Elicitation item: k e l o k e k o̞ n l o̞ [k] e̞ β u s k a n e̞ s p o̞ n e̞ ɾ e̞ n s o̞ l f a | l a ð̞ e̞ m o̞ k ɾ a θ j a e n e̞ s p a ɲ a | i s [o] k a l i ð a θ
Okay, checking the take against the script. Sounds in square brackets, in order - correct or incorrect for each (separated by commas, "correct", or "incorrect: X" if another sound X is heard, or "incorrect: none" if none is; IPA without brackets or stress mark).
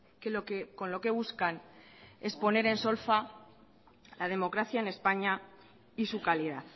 correct, incorrect: u